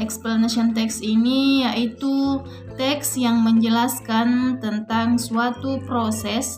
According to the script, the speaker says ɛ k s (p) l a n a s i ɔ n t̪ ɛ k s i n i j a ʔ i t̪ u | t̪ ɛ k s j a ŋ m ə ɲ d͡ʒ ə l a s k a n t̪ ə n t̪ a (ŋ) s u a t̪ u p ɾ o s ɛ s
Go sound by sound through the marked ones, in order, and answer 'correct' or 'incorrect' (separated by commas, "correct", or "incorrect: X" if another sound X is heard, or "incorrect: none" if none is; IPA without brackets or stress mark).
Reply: correct, correct